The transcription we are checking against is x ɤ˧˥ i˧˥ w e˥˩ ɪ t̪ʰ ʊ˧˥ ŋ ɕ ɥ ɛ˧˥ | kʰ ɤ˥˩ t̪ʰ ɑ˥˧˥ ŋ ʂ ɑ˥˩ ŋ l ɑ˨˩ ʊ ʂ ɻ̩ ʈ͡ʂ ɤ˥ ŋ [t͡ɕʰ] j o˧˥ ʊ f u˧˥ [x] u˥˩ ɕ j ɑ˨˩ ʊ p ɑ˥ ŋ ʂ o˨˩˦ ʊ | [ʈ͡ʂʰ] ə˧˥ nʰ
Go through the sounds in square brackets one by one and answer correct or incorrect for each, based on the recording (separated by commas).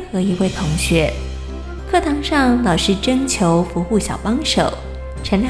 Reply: correct, correct, correct